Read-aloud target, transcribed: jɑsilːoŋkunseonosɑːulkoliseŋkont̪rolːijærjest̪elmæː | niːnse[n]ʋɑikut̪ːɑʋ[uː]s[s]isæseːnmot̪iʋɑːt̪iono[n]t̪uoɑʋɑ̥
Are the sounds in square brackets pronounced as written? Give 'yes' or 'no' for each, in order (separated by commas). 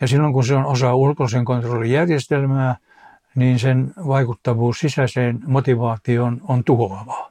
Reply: yes, yes, yes, yes